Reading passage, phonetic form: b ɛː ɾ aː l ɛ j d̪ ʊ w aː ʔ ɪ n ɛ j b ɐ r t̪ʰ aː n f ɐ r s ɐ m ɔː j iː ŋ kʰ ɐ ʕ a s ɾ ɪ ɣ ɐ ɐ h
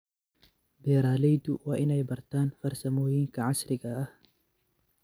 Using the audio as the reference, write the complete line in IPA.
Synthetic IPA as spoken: b ɛː ɾ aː l ɛ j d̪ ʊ w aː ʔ ɪ n ɛ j b ɐ r t̪ʰ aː n f ɐ r s ɐ m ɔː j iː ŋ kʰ ɐ ʕ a s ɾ ɪ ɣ ɐ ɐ h